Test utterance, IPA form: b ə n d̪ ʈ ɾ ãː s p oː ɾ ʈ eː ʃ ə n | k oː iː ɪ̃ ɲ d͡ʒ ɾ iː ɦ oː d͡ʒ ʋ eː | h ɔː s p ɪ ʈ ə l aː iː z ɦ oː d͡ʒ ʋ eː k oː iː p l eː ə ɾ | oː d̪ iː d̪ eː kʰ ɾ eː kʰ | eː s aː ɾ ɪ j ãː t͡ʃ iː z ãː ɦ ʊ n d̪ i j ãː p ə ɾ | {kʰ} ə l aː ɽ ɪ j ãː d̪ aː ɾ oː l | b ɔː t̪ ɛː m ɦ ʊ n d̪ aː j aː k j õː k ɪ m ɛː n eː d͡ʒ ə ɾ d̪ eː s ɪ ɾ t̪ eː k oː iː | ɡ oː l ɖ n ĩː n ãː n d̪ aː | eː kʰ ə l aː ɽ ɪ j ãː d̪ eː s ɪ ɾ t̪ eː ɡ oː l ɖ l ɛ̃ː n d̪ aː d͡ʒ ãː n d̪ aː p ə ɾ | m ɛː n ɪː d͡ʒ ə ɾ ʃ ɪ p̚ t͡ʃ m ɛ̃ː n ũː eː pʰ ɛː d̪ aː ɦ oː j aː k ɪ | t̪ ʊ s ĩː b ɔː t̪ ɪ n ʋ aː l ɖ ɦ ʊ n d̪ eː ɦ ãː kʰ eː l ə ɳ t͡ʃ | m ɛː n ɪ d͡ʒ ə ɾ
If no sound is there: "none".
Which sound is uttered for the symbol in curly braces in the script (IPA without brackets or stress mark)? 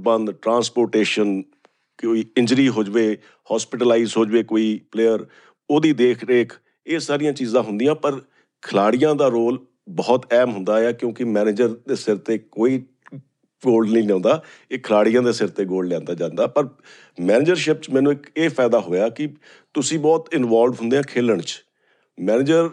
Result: kʰ